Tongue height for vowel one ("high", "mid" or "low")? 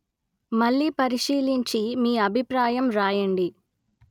low